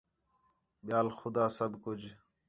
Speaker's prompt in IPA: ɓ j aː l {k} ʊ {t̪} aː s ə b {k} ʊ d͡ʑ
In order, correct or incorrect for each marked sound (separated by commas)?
incorrect, incorrect, correct